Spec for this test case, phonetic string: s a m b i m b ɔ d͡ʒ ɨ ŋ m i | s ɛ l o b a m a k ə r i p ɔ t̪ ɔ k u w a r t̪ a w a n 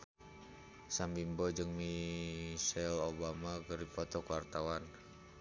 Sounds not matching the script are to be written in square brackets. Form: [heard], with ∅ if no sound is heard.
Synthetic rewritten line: s a m b i m b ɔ d͡ʒ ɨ ŋ m i | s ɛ l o b a m a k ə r i p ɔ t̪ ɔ k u w a r t̪ a w a n